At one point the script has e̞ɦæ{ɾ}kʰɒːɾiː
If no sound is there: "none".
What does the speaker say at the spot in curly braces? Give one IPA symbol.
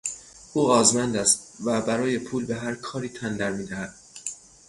ɾ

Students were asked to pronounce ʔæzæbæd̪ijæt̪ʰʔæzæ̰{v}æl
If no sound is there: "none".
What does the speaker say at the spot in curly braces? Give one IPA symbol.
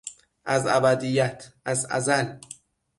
z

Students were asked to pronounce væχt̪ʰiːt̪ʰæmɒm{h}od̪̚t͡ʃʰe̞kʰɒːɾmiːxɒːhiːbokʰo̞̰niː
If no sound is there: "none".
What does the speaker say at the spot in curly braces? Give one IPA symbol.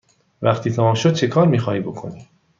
ʃ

